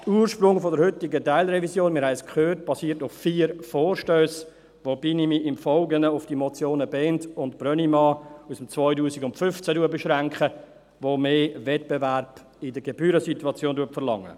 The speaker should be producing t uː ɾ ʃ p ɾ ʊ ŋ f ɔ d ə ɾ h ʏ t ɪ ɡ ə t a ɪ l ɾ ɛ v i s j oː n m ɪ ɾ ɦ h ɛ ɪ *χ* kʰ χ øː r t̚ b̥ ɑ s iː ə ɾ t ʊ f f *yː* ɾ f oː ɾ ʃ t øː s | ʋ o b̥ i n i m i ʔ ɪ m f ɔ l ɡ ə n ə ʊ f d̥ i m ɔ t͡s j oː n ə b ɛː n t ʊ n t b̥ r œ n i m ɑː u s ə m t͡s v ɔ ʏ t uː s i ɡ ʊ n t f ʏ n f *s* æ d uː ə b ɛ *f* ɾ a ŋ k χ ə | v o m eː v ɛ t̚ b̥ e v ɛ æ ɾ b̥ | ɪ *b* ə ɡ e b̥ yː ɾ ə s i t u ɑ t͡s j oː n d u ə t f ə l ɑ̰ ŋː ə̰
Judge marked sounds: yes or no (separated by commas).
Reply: no, no, no, no, no